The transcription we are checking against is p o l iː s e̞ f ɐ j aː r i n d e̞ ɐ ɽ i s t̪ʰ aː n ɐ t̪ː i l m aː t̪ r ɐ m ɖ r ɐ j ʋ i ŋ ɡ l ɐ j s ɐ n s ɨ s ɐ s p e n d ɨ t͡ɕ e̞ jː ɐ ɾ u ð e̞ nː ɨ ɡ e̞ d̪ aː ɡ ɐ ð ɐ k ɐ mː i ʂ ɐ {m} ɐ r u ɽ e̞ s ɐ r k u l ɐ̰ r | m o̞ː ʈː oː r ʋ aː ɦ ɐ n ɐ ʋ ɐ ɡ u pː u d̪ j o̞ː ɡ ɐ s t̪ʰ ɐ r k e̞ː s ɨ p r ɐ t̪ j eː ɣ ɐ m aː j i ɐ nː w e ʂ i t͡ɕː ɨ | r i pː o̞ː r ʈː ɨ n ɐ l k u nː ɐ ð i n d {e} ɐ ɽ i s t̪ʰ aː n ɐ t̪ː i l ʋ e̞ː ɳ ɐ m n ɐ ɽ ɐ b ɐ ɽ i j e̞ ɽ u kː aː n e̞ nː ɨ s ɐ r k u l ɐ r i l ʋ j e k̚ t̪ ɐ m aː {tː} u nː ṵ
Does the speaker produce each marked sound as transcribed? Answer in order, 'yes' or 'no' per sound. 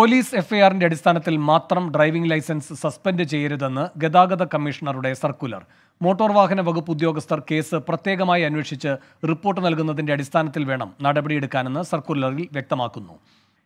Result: no, yes, no

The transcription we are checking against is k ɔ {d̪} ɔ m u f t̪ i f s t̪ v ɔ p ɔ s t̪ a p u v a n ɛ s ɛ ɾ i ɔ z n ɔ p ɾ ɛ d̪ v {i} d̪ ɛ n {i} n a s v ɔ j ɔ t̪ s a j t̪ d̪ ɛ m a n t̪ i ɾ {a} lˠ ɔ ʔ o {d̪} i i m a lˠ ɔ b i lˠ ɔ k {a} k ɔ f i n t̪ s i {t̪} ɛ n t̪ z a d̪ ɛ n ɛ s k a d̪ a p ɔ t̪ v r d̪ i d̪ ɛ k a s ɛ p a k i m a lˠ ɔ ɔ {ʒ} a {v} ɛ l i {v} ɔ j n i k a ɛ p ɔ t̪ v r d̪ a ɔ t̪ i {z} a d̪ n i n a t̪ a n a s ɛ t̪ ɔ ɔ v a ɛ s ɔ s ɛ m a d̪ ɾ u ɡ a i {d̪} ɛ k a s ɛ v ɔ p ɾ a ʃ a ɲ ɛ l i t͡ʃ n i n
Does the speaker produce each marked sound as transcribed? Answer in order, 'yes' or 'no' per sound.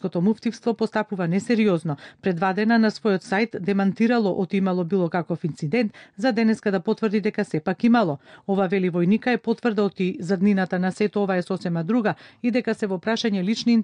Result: no, no, no, yes, no, yes, no, no, yes, yes, yes, yes

